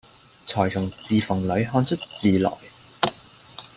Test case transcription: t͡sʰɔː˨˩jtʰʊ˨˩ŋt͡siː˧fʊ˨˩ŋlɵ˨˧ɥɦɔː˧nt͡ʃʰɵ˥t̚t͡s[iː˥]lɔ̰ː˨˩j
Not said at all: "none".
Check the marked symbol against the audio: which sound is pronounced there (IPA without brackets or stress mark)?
iː˨